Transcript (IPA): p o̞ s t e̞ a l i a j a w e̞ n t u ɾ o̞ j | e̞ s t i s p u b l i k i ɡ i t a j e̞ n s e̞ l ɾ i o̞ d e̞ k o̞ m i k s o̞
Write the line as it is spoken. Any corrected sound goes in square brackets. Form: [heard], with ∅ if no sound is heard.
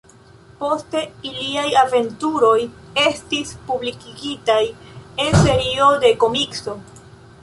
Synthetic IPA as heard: p o̞ s t e̞ [i] l i a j a [v] e̞ n t u ɾ o̞ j | e̞ s t i s p u b l i k i ɡ i t a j e̞ n s e̞ [∅] ɾ i o̞ d e̞ k o̞ m i k s o̞